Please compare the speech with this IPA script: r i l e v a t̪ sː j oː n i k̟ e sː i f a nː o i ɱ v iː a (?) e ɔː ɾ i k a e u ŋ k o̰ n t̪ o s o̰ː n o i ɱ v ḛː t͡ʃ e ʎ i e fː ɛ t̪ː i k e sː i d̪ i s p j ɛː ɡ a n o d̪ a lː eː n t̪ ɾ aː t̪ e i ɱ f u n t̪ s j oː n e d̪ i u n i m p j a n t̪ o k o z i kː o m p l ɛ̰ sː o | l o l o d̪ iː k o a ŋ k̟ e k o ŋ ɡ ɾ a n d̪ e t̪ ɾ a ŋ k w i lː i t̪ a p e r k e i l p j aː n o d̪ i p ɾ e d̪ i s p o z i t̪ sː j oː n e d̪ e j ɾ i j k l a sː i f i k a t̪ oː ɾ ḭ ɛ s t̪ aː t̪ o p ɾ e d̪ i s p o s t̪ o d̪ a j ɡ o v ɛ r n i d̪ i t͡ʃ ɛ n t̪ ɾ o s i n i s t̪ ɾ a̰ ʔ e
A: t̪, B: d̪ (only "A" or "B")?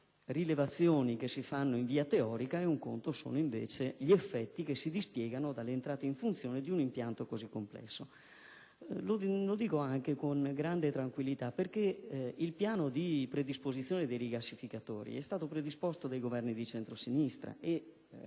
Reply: A